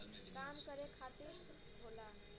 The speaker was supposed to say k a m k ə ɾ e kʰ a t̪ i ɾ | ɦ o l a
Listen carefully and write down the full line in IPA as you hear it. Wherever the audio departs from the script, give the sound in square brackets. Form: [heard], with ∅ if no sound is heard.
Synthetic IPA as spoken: k a m k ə ɾ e kʰ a t̪ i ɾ | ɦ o l a

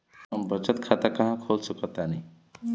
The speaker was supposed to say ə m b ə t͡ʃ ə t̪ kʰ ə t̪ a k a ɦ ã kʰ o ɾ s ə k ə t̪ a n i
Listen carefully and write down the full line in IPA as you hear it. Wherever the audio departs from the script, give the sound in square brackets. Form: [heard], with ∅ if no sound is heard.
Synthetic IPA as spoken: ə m b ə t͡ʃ ə t̪ kʰ [a] t̪ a k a ɦ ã kʰ o [l] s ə k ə t̪ a n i

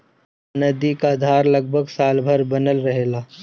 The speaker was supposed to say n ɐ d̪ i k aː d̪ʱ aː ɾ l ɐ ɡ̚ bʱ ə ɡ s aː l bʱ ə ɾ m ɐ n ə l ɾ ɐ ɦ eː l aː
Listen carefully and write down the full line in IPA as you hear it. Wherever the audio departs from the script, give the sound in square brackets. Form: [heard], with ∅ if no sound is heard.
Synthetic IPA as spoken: n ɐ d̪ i k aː d̪ʱ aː ɾ l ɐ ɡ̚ bʱ ə ɡ s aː l bʱ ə ɾ [b] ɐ n ə l ɾ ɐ ɦ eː l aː

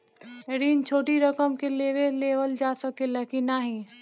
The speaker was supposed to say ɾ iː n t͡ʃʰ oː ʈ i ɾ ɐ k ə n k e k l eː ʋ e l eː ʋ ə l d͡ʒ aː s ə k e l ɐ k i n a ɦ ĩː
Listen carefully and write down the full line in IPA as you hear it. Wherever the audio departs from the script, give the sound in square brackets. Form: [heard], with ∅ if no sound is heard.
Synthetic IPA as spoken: ɾ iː n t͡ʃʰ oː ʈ i ɾ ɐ k ə [m] k e [∅] l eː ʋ e l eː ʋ ə l d͡ʒ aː s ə k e l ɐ k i n a ɦ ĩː

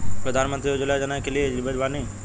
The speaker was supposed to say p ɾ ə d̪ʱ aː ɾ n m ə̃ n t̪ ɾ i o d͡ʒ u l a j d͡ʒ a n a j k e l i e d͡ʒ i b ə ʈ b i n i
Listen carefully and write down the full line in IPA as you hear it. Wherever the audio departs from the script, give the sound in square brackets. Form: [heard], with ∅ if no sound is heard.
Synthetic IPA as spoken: p ɾ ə d̪ʱ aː [∅] n m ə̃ n t̪ ɾ i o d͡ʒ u l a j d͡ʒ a n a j k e l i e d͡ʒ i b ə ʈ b [a] n i

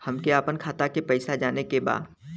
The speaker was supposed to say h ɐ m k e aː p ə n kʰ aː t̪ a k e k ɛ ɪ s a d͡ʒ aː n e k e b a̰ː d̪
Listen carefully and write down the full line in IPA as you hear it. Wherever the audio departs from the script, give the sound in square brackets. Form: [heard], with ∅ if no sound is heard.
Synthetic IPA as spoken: h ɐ m k e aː p ə n kʰ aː t̪ a k e [p] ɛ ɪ s a d͡ʒ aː n e k e b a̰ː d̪

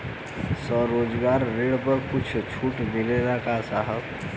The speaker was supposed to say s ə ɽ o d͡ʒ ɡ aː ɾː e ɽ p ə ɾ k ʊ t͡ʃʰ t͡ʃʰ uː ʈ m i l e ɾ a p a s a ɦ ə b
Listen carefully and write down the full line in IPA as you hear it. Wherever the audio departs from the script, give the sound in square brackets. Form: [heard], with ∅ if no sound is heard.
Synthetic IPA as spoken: s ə [ɾ] o d͡ʒ ɡ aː ɾː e ɽ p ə ɾ k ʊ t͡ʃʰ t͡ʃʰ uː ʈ m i l e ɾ a [k] a s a ɦ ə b

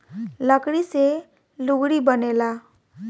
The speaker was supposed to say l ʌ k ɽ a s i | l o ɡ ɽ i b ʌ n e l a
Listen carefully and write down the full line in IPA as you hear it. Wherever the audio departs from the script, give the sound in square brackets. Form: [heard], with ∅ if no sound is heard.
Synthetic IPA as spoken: l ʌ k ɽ [i] s [e] | l [u] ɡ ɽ i b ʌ n e l a

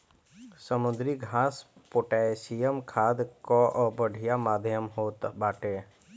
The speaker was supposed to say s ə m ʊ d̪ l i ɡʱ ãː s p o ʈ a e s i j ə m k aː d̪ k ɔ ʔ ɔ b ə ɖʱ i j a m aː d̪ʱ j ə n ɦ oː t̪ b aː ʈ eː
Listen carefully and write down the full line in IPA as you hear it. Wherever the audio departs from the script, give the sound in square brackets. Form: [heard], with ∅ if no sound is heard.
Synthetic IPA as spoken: s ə m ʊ d̪ [ɾ] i ɡʱ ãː s p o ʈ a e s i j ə m [kʰ] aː d̪ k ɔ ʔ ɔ b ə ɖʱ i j a m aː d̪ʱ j ə [m] ɦ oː t̪ b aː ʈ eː

